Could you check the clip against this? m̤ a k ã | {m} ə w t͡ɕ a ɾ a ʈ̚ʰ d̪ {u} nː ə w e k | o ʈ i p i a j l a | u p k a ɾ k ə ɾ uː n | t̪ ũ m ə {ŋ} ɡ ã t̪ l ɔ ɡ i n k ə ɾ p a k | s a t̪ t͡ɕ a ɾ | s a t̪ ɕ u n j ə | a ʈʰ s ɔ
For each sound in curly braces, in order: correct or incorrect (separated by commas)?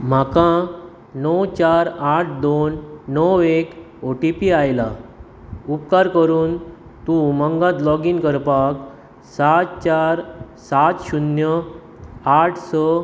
incorrect, incorrect, correct